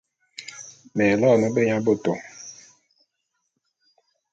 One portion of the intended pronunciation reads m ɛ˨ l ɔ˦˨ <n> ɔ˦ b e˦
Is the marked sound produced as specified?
yes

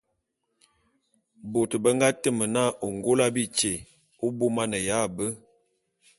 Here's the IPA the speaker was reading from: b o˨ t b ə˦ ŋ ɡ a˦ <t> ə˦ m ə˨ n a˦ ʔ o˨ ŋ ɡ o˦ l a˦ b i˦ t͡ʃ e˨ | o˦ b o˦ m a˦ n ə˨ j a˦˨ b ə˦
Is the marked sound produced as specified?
yes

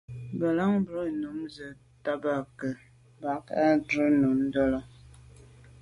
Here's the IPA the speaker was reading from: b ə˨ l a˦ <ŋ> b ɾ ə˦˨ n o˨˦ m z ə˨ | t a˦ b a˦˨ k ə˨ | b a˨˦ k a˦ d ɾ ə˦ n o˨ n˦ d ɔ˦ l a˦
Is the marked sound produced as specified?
yes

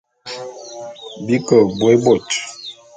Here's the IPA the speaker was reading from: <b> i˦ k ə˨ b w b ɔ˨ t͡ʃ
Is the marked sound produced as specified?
yes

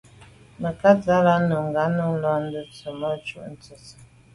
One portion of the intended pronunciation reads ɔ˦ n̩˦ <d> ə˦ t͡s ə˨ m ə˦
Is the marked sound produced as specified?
yes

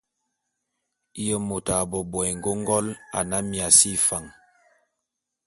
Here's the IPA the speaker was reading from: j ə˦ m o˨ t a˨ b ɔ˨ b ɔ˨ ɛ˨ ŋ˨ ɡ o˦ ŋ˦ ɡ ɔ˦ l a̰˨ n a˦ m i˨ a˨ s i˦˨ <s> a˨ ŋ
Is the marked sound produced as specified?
no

